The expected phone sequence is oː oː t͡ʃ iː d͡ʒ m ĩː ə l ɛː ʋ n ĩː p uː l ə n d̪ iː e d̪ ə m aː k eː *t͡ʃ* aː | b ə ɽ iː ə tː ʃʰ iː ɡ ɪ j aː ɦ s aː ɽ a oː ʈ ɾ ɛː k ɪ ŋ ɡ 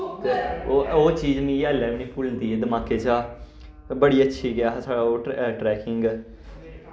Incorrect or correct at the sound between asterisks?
correct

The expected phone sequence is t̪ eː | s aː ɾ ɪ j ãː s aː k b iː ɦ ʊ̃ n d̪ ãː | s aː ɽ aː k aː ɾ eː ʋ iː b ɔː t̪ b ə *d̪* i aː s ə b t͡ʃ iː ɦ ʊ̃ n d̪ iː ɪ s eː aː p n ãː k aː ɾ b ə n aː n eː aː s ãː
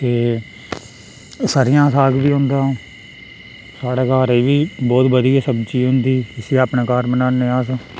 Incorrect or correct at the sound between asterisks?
correct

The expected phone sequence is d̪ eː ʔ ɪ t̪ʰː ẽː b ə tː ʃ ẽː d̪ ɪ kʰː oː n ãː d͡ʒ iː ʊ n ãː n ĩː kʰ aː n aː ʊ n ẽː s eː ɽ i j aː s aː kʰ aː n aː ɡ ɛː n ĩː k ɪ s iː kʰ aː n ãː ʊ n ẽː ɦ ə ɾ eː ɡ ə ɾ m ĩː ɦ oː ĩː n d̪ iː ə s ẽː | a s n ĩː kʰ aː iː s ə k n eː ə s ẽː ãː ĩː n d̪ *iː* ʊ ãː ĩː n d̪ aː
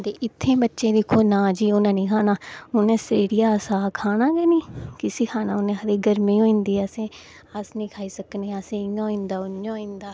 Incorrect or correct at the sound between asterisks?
incorrect: aː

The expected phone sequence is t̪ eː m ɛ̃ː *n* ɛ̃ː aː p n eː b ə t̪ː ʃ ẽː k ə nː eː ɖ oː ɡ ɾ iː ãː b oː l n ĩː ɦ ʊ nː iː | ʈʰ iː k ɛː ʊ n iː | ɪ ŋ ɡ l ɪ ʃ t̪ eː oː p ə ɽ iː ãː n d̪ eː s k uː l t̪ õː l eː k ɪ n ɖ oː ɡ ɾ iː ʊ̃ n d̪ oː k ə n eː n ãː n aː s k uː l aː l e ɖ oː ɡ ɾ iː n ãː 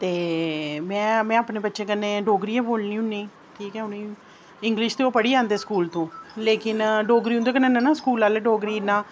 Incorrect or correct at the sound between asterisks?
incorrect: m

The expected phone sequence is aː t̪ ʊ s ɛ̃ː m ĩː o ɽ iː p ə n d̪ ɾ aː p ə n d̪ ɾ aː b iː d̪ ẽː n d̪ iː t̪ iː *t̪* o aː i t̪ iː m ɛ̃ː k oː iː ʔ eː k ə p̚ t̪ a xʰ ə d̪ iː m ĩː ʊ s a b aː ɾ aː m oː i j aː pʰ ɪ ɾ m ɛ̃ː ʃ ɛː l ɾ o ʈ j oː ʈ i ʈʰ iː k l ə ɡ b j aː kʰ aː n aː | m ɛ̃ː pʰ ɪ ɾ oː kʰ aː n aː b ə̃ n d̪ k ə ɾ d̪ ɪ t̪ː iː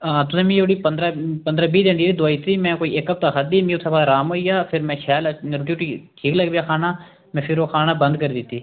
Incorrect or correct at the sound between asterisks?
incorrect: d̪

